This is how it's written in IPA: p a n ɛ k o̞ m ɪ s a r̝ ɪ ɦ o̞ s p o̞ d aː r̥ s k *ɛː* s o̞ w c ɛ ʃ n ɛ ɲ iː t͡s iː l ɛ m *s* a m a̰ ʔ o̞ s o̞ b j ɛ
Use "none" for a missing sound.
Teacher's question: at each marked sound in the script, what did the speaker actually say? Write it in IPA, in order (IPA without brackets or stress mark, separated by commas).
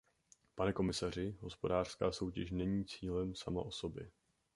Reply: aː, s